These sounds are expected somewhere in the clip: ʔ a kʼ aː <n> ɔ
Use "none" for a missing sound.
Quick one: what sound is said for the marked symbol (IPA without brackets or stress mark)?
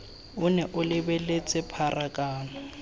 n